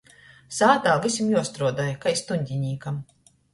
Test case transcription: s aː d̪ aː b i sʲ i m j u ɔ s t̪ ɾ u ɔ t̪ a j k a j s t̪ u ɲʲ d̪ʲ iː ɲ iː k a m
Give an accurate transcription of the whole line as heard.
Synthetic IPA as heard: s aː t̪ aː v i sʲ i m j u ɔ s t̪ ɾ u ɔ d̪ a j k a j s t̪ u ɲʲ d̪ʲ i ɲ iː k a m